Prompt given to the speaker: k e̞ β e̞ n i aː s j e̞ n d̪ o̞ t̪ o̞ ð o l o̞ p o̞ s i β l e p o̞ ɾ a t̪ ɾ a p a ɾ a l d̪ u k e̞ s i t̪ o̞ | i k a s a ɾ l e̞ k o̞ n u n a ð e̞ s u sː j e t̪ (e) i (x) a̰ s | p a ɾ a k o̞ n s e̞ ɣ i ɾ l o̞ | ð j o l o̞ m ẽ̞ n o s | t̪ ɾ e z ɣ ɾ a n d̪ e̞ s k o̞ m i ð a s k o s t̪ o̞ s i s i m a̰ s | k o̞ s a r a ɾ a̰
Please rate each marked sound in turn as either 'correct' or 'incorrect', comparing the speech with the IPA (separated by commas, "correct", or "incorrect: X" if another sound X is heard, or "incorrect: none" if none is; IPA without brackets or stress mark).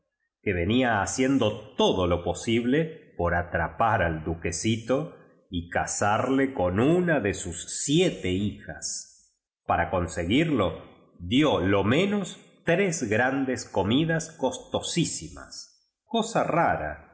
correct, correct